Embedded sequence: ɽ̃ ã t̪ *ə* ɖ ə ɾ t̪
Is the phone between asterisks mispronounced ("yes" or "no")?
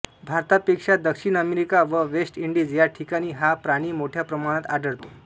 yes